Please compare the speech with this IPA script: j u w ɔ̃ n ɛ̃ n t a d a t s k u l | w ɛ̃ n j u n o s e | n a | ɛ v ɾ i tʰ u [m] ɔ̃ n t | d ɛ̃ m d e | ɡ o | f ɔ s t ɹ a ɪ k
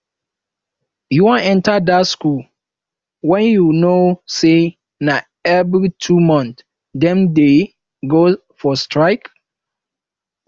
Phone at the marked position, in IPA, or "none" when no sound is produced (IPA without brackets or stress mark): m